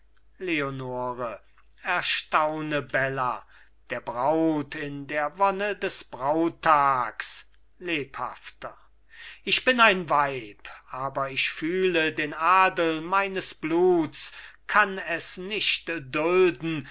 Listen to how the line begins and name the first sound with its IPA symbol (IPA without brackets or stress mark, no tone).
l